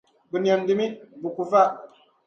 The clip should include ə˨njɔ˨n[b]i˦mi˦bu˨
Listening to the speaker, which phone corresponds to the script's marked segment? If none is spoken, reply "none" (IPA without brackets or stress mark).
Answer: d